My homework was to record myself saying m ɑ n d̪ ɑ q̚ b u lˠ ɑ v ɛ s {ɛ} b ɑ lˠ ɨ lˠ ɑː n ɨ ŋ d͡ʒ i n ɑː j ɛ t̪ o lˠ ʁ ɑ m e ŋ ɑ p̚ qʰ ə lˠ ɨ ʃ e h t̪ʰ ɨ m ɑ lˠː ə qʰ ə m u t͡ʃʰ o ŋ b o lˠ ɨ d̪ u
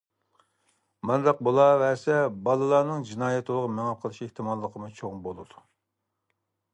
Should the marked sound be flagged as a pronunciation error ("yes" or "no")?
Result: no